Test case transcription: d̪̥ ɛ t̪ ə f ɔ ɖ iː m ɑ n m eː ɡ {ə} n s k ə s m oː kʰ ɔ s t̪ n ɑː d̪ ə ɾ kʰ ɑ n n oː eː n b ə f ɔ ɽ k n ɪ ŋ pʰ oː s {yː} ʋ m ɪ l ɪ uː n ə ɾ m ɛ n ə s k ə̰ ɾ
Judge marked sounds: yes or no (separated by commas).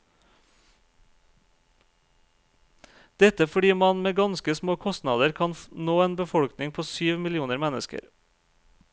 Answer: no, yes